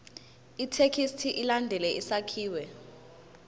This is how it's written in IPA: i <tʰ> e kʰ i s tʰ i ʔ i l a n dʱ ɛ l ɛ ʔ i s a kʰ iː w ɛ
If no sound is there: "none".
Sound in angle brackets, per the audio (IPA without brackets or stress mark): tʰ